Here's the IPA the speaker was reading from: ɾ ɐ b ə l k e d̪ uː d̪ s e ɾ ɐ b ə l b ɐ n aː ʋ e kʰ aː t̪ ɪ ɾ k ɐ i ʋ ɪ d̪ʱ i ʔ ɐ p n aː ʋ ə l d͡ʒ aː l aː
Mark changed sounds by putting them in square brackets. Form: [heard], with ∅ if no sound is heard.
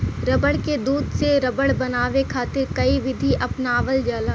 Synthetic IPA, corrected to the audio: ɾ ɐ b ə [ɽ] k e d̪ uː d̪ s e ɾ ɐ b ə [ɽ] b ɐ n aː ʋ e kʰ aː t̪ ɪ ɾ k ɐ i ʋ ɪ d̪ʱ i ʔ ɐ p n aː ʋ ə l d͡ʒ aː l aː